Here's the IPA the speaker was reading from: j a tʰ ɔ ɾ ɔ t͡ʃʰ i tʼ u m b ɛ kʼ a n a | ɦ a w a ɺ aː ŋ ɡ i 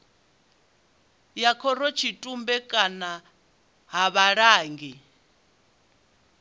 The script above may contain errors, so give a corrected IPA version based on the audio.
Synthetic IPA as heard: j a kʰ ɔ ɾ ɔ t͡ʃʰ i tʼ u m b ɛ kʼ a n a | ɦ a β a ɺ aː ŋ ɡ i